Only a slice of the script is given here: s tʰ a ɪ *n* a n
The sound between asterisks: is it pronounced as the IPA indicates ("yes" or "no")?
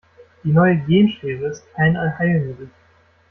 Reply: yes